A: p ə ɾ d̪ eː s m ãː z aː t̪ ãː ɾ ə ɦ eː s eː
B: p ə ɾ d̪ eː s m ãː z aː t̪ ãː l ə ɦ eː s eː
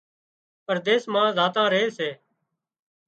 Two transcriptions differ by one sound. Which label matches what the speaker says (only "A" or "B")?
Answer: A